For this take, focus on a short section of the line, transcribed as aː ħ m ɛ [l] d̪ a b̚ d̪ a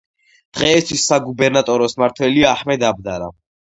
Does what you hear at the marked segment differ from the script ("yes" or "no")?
yes